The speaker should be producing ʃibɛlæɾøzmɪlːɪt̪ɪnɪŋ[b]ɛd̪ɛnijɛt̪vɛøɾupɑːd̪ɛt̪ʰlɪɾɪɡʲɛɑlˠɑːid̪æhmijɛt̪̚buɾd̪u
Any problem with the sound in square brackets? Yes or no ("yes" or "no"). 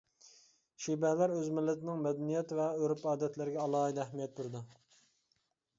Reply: yes